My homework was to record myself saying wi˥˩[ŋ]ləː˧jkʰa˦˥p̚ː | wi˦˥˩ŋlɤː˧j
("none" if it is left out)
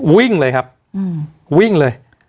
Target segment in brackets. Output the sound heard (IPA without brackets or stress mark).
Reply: ŋ